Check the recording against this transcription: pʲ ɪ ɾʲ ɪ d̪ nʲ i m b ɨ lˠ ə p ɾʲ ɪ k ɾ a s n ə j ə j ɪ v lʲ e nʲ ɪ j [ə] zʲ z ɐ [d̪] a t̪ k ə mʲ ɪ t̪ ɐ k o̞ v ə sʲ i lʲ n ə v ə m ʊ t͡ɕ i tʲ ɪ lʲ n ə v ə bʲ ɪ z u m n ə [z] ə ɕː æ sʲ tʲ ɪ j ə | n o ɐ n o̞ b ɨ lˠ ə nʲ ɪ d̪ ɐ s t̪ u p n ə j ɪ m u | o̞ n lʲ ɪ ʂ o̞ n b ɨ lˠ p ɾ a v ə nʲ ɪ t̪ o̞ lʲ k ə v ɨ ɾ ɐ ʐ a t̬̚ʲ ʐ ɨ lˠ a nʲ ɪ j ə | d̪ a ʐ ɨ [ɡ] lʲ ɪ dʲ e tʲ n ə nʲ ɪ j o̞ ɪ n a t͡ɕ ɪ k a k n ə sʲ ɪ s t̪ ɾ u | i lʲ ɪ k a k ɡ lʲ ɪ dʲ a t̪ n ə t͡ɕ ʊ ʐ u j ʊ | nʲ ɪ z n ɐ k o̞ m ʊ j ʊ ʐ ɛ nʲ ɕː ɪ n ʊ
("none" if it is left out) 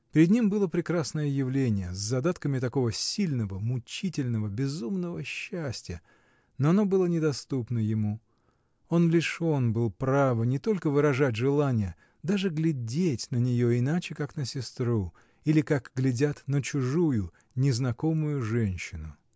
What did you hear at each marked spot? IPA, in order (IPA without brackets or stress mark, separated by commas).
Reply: ə, d̪, v, ɡ